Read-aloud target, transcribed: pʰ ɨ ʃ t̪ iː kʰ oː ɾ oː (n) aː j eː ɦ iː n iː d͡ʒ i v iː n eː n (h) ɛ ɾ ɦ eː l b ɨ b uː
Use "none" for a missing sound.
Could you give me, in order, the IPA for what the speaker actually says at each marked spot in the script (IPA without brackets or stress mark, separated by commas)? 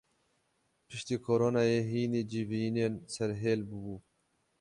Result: n, s